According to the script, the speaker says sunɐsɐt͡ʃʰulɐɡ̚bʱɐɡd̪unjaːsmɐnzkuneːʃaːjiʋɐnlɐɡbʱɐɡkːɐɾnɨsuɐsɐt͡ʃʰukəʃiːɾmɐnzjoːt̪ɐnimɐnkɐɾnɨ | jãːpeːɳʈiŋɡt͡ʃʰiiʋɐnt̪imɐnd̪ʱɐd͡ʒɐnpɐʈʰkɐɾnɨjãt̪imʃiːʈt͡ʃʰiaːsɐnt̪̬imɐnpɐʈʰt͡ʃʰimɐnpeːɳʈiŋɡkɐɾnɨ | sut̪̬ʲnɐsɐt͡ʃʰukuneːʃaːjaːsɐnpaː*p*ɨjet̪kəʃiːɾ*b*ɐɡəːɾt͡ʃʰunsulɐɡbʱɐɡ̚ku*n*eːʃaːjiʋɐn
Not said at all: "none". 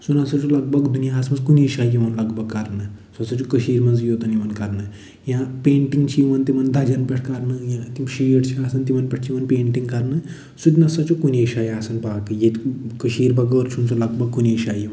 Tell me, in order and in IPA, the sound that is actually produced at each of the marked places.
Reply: k, b, n

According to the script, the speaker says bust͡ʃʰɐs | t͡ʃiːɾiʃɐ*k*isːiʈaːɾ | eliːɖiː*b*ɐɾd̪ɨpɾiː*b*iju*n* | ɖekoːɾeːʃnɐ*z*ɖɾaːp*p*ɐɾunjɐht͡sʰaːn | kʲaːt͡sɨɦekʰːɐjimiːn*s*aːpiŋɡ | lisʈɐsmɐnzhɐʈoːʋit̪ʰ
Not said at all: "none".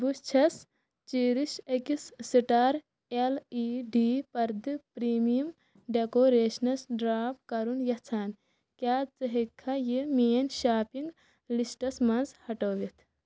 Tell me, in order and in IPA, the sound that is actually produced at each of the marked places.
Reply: k, p, m, m, s, k, ʃ

